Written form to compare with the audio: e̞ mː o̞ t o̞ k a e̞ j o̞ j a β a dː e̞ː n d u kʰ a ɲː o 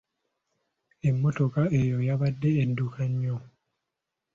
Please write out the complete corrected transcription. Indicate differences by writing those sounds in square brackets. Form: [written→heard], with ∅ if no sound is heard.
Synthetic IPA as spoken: e̞ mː o̞ t o̞ k a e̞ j o̞ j a β a dː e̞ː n d u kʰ a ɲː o